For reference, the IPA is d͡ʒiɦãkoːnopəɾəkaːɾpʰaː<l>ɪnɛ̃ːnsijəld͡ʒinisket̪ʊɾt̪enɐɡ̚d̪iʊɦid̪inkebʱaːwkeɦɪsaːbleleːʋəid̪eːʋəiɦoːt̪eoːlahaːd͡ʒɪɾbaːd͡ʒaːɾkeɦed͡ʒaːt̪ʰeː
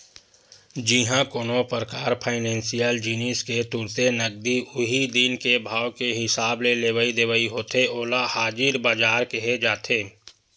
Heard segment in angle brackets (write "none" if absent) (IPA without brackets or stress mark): none